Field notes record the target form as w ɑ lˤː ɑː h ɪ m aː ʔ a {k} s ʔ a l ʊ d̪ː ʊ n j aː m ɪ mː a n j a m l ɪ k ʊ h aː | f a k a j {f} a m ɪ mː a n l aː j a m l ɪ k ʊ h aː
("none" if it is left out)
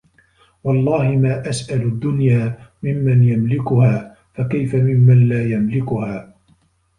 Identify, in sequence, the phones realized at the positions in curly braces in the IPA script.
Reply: none, f

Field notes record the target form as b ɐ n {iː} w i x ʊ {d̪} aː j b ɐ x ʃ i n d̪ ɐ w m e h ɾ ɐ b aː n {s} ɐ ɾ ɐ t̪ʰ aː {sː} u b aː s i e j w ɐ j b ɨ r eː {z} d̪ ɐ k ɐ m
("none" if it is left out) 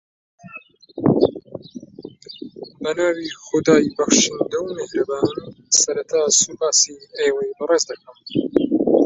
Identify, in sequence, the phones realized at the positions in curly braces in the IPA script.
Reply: aː, d̪, s, s, z

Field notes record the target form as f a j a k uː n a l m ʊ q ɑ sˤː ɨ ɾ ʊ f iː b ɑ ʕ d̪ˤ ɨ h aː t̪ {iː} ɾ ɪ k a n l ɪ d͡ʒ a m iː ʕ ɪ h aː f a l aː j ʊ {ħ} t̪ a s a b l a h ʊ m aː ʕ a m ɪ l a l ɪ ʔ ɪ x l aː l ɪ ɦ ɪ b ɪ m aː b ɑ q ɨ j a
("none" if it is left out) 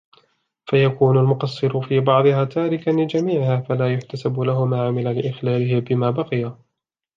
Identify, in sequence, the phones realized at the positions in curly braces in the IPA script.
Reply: aː, ħ

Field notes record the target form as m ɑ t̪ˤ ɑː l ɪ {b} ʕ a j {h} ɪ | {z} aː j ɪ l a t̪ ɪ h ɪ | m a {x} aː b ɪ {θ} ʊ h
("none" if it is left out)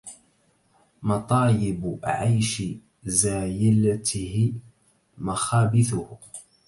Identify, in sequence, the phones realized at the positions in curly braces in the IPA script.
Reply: b, ʃ, z, x, θ

